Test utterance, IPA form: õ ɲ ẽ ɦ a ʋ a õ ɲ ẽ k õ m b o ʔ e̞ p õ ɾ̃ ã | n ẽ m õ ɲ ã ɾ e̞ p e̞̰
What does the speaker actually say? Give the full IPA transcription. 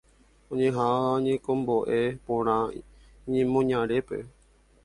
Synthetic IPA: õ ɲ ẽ ɦ a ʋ a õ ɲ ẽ k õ m b o ʔ e̞ p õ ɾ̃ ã | ɲ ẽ m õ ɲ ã ɾ e̞ p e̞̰